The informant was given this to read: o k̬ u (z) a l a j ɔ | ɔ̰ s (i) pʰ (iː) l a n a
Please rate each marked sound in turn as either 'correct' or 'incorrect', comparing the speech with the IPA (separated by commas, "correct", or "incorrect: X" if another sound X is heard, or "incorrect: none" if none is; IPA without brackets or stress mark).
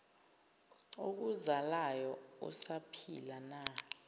correct, incorrect: a, incorrect: i